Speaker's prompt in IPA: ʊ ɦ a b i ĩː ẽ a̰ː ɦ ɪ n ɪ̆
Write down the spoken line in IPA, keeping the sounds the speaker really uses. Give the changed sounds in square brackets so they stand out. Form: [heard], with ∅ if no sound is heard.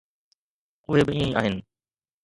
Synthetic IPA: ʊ ɦ [e] b [ɪ] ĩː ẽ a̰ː ɦ ɪ n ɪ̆